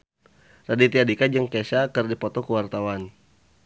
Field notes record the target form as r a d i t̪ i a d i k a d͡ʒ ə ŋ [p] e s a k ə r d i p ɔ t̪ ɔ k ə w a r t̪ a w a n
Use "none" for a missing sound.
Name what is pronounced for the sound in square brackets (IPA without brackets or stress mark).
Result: k